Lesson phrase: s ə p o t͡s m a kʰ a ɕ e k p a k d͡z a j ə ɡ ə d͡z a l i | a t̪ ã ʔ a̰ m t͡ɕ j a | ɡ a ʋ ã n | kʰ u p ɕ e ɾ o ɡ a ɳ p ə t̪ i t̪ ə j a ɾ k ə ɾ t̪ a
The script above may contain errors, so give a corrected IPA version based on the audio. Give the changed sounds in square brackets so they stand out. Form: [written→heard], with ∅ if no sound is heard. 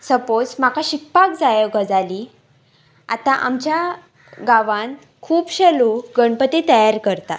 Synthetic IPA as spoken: s ə p o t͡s m a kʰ a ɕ [e→i] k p a k d͡z a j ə ɡ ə d͡z a l i | a t̪ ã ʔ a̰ m t͡ɕ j a | ɡ a ʋ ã n | kʰ [u→uː] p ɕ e [ɾ→l] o ɡ [a→ə] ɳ p ə t̪ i t̪ ə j a ɾ k ə ɾ t̪ a